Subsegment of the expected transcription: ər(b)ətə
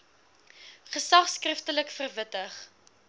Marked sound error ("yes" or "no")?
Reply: yes